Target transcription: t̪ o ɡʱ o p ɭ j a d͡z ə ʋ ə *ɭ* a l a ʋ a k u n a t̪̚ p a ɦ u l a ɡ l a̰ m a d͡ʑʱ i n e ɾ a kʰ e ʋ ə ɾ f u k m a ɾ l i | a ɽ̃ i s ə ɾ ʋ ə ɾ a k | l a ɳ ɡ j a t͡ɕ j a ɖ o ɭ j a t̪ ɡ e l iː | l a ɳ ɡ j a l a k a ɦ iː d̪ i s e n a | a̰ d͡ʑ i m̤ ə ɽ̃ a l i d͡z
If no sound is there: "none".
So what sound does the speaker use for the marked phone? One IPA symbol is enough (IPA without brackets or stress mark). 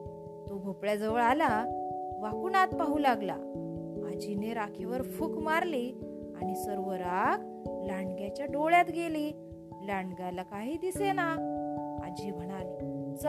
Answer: ɭ